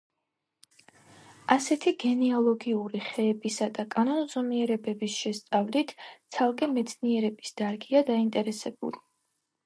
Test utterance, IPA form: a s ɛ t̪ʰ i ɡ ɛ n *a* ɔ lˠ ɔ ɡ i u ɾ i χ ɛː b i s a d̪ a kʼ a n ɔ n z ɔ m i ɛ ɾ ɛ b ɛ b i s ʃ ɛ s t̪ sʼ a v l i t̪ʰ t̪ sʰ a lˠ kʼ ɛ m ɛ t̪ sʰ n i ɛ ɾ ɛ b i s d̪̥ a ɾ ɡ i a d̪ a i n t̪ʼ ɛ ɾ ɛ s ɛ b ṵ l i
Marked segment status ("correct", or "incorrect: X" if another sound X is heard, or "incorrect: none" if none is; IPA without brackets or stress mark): incorrect: i